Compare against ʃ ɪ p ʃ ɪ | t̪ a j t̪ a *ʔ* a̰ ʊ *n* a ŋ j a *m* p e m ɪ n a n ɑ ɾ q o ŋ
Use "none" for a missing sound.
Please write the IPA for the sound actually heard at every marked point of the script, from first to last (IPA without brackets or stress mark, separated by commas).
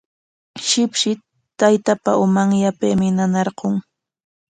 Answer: p, m, none